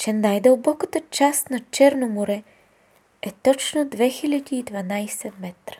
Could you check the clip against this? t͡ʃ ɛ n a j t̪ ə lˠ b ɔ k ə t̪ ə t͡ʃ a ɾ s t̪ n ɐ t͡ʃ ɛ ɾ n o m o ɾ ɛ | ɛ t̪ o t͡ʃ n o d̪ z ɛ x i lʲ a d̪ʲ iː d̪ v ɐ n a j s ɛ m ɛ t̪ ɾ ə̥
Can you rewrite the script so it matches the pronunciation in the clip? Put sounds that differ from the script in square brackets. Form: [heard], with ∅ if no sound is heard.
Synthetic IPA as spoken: t͡ʃ ɛ n a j [d̪] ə lˠ b ɔ k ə t̪ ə t͡ʃ a [∅] s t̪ n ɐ t͡ʃ ɛ ɾ n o m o ɾ ɛ | ɛ t̪ [ɔ] t͡ʃ n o d̪ [v] ɛ x i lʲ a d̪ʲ iː d̪ v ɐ n a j s ɛ m ɛ t̪ ɾ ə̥